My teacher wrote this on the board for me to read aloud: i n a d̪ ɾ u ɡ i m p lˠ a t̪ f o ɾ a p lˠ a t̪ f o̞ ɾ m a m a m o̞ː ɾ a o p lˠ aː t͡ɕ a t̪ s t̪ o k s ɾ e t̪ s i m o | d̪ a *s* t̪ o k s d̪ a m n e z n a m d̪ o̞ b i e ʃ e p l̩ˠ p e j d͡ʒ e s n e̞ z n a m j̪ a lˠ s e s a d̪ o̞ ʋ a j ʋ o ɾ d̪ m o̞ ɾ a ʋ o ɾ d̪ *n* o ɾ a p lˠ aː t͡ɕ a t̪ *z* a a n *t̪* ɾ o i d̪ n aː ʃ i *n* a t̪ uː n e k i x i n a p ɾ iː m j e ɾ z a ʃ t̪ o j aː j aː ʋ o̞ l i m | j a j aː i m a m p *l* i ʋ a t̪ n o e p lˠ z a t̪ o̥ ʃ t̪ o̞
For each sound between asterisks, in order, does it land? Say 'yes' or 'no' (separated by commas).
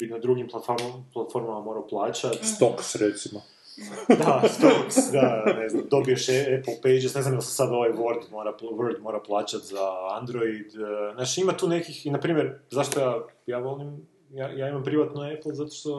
yes, no, yes, no, no, no